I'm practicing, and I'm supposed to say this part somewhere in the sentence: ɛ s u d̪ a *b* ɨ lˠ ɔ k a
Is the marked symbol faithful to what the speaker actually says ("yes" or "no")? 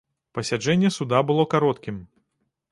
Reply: yes